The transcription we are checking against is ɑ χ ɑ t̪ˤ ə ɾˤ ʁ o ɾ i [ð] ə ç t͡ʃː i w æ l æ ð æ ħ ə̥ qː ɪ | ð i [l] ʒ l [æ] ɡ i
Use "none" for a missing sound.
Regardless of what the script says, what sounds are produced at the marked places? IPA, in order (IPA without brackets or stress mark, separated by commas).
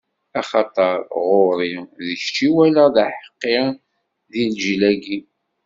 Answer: ð, l, æ